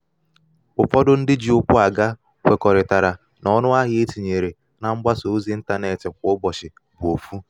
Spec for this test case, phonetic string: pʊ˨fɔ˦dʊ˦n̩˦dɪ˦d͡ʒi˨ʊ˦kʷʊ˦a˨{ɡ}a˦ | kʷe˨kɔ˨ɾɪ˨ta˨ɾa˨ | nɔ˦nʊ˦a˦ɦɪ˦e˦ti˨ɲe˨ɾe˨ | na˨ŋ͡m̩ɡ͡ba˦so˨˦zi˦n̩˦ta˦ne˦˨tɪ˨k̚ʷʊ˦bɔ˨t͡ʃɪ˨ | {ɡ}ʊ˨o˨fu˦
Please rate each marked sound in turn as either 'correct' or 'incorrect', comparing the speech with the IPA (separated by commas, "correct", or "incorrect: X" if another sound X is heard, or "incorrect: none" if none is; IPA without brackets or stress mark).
correct, incorrect: b